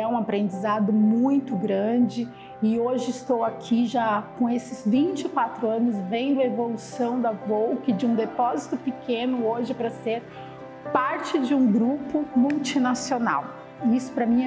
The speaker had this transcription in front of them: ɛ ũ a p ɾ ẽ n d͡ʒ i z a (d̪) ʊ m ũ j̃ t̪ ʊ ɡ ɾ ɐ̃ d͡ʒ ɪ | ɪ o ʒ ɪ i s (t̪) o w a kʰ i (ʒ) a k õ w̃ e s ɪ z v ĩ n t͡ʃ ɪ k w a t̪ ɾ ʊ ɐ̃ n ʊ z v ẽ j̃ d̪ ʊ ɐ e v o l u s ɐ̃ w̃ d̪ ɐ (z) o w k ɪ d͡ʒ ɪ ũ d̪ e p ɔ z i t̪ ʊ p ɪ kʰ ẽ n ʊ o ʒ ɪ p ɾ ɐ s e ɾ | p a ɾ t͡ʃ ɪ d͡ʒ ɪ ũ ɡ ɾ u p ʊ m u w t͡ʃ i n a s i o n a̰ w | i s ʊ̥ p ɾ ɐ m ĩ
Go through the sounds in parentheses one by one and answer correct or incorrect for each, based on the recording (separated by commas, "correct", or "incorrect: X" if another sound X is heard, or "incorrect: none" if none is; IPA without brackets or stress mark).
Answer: correct, correct, correct, incorrect: v